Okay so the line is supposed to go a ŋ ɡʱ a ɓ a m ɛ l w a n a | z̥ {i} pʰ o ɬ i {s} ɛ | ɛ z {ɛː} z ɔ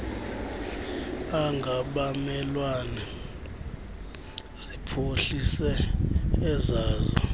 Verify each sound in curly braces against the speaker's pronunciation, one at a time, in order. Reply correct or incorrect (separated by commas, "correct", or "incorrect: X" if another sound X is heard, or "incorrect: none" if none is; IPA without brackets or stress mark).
correct, correct, incorrect: aː